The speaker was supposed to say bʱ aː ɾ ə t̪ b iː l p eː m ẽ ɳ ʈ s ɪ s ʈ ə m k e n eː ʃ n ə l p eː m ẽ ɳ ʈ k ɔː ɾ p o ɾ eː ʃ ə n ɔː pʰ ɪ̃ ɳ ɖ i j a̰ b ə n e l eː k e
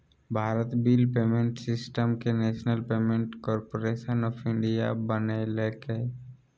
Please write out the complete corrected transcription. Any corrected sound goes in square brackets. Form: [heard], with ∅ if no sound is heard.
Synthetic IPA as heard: bʱ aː ɾ ə t̪ b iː l p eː m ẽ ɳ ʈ s ɪ s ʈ ə m k e n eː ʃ n ə l p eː m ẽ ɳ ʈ k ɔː ɾ p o ɾ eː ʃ ə n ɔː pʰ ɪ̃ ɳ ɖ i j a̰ b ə n e l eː k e